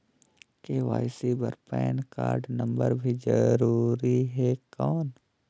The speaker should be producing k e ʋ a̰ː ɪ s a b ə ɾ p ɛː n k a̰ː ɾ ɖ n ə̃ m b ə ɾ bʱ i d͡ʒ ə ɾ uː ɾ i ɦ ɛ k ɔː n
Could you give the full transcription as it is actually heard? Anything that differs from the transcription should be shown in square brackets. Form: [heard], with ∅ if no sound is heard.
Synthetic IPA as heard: k e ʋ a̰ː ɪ s [i] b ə ɾ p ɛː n k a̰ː ɾ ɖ n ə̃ m b ə ɾ bʱ i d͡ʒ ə ɾ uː ɾ i ɦ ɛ k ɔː n